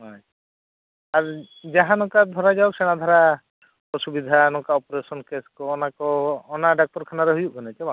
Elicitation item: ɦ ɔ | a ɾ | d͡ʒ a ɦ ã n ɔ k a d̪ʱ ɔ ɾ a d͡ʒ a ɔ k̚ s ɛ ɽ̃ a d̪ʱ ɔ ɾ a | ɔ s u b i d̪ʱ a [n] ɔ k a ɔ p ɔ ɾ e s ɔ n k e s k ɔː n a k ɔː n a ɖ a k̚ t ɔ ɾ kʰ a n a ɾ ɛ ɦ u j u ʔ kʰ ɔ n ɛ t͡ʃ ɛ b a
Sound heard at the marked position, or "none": n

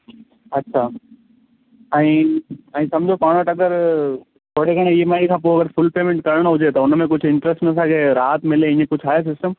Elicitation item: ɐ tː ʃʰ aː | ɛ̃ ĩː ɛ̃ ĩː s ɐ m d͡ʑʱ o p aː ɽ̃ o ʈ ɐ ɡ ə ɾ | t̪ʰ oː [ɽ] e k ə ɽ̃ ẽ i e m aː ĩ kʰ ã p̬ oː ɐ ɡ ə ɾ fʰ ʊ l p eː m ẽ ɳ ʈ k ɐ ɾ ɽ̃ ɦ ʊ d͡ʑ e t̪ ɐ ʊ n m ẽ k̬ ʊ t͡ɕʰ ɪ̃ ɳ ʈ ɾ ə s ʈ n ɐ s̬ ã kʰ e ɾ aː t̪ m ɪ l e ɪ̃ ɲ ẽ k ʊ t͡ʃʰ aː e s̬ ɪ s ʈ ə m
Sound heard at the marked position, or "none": ɽ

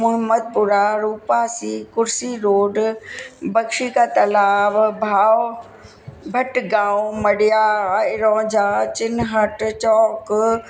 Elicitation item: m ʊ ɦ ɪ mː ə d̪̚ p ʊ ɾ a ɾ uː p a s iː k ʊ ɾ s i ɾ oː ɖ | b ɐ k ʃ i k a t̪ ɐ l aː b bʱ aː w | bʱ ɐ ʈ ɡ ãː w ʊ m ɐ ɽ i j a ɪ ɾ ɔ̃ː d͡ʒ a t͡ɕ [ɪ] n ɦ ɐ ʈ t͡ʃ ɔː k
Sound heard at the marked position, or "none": ɪ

